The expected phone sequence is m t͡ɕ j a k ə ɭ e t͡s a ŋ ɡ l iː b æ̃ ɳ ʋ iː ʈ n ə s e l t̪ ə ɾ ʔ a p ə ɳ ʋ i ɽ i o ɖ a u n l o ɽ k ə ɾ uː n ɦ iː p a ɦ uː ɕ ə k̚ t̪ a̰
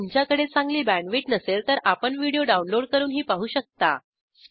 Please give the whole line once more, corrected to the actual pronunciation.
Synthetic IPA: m t͡ɕ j a k ə ɽ e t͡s a ŋ ɡ l iː b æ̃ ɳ ʋ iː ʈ n ə s e l t̪ ə ɾ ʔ a p ə ɳ ʋ i ɽ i o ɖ a u n l o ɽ k ə ɾ uː n ɦ iː p a ɦ uː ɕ ə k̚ t̪ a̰